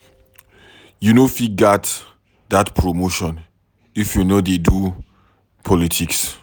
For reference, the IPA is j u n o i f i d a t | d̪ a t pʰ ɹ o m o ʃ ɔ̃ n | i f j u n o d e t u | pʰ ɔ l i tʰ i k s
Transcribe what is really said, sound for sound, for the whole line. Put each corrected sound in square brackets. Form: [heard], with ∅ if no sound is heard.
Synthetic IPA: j u n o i f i [ɡ] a t | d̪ a t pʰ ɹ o m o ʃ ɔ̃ n | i f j u n o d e [d] u | pʰ ɔ l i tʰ i k s